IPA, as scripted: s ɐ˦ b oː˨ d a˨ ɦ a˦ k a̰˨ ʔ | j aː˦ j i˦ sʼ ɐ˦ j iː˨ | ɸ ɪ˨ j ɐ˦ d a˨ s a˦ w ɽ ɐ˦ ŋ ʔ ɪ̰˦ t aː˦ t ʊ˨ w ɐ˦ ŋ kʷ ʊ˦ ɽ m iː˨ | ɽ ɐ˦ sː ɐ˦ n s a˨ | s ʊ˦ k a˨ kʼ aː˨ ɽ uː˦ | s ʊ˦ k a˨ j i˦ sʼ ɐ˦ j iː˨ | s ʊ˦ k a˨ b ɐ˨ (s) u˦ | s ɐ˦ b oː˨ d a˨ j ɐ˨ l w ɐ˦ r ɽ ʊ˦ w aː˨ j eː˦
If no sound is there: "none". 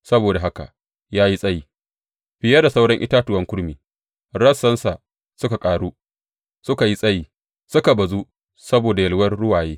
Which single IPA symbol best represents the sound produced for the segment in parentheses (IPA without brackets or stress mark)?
z